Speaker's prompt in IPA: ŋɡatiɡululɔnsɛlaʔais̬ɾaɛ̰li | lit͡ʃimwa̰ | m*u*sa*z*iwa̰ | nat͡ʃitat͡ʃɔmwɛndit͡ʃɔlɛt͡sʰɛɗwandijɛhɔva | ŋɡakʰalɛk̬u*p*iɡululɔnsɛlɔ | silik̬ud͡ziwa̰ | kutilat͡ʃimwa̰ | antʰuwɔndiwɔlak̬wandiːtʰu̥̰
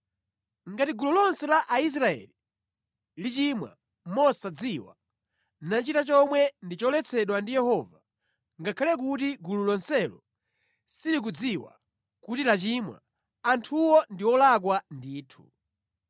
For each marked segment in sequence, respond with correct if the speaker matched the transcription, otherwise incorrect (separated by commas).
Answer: incorrect, incorrect, incorrect